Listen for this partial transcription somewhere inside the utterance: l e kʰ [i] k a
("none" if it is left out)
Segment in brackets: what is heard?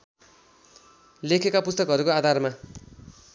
e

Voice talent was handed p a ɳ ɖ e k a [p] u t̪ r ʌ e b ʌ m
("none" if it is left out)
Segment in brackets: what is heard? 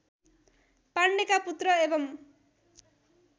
p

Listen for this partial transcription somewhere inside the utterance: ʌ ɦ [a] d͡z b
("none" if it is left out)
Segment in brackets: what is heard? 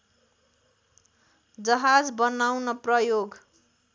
a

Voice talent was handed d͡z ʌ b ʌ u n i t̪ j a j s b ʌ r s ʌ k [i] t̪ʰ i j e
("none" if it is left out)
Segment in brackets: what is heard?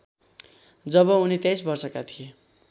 a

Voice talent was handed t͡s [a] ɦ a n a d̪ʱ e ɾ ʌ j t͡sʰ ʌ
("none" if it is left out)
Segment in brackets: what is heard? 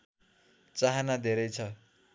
a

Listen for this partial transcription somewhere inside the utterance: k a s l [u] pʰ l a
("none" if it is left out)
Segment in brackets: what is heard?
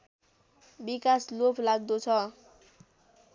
o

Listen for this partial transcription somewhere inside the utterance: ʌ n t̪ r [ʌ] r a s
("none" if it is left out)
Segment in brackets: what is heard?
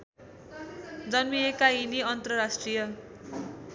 ʌ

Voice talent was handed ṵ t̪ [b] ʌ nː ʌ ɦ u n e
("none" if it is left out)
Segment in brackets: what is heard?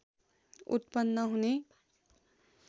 p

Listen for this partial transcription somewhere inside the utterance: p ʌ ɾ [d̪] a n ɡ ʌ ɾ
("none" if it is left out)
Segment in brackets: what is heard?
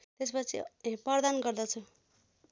d̪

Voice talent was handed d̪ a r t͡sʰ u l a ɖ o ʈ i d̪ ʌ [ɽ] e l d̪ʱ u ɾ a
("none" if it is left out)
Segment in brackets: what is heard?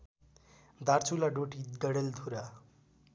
ɽ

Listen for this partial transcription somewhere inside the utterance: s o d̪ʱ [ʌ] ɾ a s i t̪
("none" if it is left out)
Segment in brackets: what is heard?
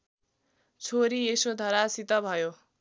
ʌ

